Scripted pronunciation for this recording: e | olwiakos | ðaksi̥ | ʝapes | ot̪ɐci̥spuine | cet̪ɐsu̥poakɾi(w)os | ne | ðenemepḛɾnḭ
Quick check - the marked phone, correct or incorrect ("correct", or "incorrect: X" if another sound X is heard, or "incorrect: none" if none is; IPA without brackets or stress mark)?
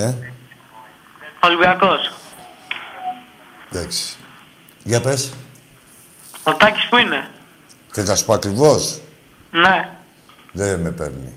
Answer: incorrect: v